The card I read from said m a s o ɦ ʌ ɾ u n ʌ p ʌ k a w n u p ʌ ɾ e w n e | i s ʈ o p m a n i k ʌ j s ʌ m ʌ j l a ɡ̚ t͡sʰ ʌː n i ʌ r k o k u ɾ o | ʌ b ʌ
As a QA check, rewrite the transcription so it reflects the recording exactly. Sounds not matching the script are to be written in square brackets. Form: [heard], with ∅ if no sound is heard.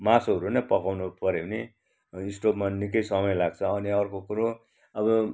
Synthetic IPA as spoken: m a s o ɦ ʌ ɾ u n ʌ p ʌ k a w n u p ʌ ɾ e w n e | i s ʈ o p m a n i k ʌ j s ʌ m ʌ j l a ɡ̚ t͡sʰ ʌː n i ʌ r k o k u ɾ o | ʌ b ʌ